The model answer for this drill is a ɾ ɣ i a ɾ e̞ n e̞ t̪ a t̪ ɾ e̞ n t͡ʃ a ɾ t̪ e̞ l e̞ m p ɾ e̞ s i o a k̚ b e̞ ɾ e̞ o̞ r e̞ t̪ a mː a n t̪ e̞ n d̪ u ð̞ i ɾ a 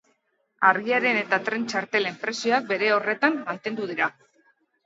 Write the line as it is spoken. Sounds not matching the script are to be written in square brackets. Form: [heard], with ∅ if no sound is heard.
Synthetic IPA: a ɾ ɣ i a ɾ e̞ n e̞ t̪ a t̪ ɾ e̞ n t͡ʃ a ɾ t̪ e̞ l e̞ m p ɾ e̞ s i o a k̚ b e̞ ɾ e̞ o̞ r e̞ t̪ a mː a n t̪ e̞ n d̪ u ð̞ i ɾ a